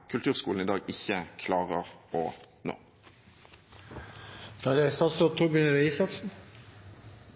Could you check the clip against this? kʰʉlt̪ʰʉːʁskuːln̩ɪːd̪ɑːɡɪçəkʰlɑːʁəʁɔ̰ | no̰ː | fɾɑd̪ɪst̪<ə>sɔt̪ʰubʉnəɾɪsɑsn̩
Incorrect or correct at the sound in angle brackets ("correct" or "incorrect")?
incorrect